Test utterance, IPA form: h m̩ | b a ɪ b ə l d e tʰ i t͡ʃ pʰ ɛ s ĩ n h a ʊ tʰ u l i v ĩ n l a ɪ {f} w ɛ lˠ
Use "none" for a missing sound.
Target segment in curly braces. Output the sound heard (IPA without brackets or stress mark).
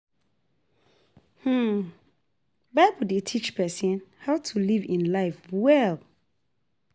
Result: f